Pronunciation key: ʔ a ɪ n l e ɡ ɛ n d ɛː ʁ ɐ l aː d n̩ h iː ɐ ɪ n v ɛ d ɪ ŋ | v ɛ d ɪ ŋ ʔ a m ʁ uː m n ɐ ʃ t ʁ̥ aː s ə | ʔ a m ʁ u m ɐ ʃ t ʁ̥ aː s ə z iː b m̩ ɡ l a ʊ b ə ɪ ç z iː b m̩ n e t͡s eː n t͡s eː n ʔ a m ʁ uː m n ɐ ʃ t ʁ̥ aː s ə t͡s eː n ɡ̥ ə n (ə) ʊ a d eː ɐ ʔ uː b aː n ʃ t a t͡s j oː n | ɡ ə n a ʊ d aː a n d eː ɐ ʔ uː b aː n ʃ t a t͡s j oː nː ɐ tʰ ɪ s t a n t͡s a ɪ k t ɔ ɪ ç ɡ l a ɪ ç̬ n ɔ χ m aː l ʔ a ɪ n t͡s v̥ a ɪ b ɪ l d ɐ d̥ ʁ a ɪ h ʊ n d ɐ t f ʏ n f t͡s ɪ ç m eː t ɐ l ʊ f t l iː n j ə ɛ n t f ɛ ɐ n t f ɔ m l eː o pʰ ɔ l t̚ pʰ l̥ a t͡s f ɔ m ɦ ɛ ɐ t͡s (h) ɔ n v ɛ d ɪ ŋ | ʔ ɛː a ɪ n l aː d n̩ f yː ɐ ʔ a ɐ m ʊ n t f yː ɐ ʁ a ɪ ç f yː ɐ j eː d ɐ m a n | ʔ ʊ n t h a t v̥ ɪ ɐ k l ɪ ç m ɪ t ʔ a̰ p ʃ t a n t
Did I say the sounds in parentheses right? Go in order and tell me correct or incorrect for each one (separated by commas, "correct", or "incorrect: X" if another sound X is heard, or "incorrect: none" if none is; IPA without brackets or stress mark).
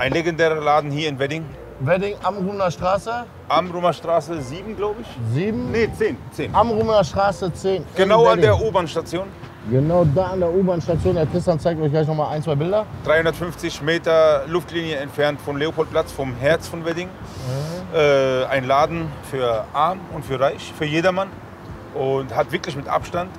incorrect: a, incorrect: f